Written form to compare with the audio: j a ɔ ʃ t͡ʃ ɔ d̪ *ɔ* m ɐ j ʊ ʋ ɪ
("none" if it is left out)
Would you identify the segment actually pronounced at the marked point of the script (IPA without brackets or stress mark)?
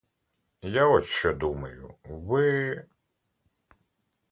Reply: u